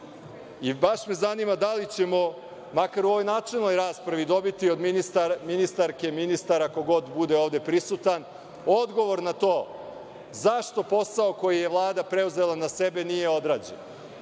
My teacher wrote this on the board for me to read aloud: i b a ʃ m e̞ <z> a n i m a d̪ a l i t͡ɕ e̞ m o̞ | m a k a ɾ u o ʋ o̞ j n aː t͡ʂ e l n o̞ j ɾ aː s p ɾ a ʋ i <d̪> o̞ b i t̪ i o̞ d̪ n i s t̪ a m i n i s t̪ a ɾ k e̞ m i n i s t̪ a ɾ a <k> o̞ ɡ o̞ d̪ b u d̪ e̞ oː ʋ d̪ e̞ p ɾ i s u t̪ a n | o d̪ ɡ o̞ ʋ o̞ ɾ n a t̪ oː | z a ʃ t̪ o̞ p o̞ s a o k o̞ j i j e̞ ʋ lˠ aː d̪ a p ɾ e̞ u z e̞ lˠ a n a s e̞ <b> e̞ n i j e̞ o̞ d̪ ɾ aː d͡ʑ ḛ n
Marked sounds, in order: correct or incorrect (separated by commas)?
correct, correct, correct, correct